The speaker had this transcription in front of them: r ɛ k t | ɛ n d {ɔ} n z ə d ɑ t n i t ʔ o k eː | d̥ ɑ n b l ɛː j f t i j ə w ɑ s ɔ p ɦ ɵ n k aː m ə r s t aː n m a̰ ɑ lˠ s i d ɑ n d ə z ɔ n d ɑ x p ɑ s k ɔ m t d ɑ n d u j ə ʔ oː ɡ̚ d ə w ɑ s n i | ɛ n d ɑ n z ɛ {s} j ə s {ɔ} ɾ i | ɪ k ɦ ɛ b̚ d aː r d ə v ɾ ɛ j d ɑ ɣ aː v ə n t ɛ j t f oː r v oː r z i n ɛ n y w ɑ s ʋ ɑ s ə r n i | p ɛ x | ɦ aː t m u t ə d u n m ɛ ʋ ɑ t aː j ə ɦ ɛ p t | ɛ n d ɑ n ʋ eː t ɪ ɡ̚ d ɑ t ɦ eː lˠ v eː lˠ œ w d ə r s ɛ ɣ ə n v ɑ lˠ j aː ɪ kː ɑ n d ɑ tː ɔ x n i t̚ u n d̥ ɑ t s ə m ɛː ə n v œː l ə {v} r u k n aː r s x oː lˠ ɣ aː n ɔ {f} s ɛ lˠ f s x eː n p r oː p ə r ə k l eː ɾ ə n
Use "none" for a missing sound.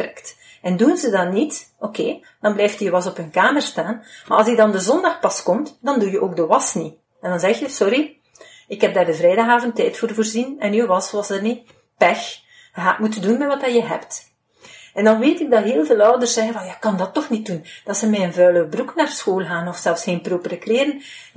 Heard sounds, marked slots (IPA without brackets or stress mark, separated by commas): u, x, ɔ, b, f